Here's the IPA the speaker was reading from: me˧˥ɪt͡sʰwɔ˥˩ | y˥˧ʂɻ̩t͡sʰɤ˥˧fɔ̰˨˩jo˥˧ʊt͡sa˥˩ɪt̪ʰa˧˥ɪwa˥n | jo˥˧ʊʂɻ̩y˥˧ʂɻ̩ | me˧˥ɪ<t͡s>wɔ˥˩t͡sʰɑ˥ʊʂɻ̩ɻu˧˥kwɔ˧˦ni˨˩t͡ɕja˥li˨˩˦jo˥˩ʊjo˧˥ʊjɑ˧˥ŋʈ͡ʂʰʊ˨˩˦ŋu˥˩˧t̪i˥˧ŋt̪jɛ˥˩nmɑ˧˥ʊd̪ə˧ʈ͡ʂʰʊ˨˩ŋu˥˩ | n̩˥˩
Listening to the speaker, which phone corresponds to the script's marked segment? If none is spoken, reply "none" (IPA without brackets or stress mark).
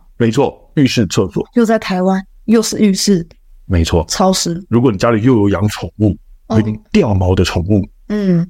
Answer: t͡sʰ